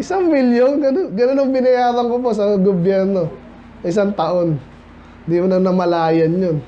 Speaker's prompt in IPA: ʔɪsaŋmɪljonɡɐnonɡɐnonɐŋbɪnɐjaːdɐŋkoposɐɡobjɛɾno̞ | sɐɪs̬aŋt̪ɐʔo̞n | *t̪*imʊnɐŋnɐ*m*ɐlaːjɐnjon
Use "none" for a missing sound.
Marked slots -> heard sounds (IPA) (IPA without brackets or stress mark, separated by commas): d̪, m